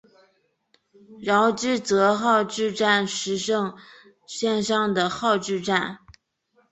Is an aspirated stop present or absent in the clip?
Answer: absent